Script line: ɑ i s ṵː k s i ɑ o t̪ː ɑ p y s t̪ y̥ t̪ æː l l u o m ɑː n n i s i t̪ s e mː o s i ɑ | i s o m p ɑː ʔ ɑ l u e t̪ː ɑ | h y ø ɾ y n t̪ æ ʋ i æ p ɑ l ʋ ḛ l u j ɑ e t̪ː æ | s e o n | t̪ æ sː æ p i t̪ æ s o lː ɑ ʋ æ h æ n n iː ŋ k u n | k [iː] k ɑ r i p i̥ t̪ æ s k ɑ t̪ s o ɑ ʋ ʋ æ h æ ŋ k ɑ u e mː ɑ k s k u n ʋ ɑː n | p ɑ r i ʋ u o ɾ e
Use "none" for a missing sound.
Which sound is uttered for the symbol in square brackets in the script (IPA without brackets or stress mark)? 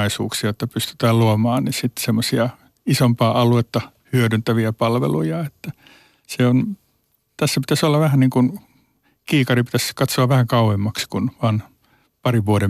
iː